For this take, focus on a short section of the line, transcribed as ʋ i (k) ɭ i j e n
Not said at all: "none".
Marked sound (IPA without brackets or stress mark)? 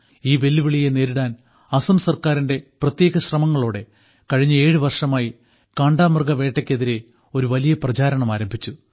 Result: none